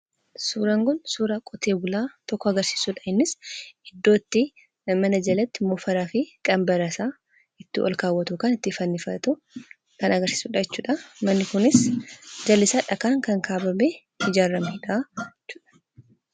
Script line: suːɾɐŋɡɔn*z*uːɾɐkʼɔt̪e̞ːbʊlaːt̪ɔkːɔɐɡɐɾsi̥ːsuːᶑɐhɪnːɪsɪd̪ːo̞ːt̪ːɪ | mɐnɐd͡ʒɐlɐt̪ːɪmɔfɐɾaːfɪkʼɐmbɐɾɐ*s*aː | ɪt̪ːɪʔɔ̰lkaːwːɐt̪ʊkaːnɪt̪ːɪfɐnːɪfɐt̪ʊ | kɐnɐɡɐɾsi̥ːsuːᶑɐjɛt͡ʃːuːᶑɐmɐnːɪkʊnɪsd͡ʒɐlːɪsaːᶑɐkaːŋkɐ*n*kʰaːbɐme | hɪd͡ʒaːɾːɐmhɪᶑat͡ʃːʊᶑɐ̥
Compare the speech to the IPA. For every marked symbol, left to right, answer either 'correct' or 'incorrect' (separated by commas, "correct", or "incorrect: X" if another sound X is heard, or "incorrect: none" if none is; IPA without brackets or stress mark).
incorrect: s, correct, incorrect: ŋ